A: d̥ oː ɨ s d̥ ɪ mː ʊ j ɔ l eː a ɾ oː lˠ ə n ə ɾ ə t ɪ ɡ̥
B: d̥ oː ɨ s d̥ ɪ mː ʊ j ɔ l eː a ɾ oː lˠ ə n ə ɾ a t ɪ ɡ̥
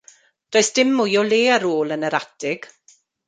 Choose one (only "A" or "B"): B